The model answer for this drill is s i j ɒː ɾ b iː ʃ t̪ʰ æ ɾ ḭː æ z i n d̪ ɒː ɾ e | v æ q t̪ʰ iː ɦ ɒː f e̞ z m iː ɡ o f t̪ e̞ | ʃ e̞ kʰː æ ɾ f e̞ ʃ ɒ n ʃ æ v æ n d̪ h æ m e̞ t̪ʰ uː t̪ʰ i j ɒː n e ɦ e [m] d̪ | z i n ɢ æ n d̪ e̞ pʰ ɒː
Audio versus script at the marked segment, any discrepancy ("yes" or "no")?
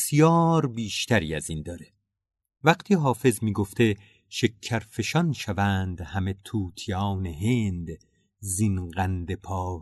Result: yes